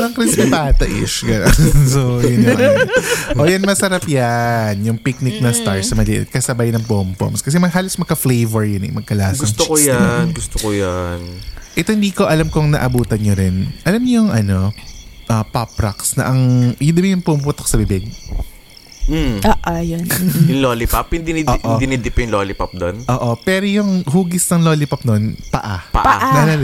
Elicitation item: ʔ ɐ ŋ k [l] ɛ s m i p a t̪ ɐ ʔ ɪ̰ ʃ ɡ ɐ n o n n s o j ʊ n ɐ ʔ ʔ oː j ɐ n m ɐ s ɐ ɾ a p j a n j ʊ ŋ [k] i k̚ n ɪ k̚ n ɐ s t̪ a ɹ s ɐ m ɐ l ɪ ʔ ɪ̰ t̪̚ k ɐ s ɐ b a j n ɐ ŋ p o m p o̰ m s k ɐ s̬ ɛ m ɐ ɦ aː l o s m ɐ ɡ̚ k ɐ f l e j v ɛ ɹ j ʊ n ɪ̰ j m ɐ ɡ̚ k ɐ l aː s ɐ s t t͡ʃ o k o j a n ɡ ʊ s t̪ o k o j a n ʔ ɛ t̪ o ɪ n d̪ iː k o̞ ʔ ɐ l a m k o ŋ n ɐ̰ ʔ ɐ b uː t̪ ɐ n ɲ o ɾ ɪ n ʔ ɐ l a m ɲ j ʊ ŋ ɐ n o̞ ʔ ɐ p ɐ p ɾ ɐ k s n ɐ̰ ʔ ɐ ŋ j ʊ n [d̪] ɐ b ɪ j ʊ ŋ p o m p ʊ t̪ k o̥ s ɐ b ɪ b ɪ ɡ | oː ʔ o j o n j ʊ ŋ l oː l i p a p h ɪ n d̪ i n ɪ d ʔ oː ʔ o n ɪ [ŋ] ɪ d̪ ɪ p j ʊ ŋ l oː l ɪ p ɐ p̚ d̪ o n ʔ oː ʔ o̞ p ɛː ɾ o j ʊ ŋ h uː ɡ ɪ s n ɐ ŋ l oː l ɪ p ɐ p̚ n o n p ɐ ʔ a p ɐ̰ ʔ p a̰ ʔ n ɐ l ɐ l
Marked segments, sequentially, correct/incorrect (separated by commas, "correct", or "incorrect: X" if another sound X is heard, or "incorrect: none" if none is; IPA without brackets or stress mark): incorrect: ɾ, incorrect: p, correct, incorrect: n